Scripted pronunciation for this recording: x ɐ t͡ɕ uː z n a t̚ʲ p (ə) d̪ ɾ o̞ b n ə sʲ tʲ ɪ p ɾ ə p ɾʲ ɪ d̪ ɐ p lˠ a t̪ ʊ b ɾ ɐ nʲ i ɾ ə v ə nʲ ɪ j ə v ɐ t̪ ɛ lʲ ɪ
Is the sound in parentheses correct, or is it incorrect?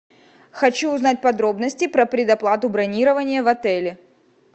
incorrect